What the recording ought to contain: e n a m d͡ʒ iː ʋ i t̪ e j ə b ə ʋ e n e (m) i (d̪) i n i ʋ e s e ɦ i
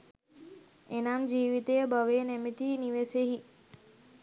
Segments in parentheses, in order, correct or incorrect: correct, incorrect: t̪

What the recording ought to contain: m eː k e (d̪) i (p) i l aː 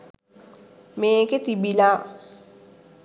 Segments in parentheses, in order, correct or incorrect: incorrect: t̪, incorrect: b

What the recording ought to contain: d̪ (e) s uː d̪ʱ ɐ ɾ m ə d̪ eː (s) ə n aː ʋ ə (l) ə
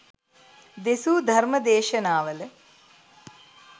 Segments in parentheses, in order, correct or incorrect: correct, incorrect: ʃ, correct

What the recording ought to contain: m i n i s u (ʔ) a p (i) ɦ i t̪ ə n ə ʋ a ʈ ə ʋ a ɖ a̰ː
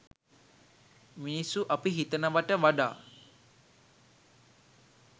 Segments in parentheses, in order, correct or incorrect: correct, correct

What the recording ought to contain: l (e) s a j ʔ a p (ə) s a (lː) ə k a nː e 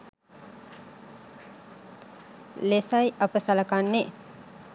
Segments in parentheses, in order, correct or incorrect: correct, correct, incorrect: l

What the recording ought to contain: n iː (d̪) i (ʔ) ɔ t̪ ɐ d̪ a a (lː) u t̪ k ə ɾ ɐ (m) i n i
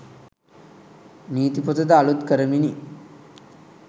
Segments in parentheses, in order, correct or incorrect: incorrect: t̪, incorrect: p, incorrect: l, correct

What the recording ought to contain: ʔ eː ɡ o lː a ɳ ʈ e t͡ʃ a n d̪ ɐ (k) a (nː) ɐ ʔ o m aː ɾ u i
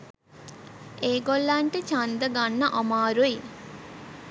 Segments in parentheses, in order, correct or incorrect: incorrect: ɡ, correct

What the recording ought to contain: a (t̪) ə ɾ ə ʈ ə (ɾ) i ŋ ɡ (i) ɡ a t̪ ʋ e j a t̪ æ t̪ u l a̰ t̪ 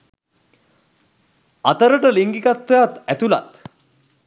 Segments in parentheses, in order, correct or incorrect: correct, incorrect: l, correct

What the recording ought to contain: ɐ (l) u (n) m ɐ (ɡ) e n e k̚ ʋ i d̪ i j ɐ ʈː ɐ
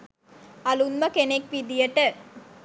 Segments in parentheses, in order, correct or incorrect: correct, correct, incorrect: k

